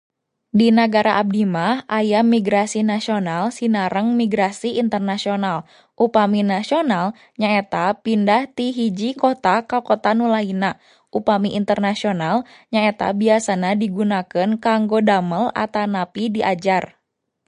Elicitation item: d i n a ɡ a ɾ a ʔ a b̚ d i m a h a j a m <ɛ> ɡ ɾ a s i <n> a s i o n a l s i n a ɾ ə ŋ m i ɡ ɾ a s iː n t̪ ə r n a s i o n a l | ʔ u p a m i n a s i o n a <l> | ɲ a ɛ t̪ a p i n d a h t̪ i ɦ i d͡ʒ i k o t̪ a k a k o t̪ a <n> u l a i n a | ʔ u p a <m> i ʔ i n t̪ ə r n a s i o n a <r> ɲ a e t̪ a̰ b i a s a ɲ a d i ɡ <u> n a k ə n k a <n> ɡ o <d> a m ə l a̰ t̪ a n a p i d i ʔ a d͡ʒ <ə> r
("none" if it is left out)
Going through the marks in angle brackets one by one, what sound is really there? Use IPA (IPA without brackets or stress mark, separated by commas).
i, n, l, n, m, l, u, ŋ, d, a